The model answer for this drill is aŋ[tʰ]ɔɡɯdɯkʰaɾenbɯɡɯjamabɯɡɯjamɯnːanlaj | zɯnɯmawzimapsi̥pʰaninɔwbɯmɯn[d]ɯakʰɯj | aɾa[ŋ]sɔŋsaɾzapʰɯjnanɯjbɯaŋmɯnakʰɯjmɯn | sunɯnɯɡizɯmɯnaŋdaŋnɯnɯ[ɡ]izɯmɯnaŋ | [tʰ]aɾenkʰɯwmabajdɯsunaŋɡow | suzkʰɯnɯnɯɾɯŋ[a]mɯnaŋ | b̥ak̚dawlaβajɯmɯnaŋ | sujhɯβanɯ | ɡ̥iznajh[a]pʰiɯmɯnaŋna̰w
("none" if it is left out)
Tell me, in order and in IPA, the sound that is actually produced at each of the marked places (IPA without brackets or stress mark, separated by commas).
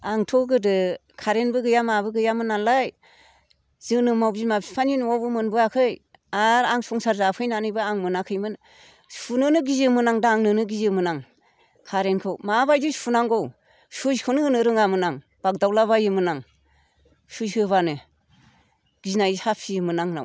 tʰ, b, ŋ, ɡ, kʰ, a, a